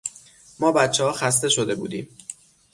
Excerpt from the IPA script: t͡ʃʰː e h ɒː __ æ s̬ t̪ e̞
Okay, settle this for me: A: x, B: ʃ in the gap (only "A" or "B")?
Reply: A